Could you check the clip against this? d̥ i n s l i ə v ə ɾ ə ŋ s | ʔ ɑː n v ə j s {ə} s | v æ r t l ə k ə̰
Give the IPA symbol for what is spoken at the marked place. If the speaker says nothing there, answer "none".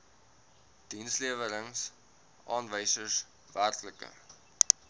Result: ə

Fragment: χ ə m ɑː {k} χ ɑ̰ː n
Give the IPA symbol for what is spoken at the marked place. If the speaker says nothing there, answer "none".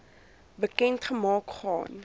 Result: k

